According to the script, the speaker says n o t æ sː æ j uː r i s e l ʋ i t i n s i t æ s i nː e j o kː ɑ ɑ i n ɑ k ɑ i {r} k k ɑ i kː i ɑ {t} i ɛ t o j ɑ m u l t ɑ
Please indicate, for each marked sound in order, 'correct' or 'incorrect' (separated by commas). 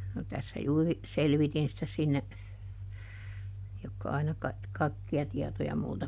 incorrect, correct